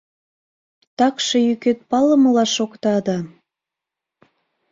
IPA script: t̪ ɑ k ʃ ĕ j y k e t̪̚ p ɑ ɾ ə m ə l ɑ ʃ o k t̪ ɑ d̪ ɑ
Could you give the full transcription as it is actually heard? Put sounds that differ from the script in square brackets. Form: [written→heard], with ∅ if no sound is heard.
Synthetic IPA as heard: t̪ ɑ k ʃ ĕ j y k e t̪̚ p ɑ [ɾ→l] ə m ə l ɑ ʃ o k t̪ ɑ d̪ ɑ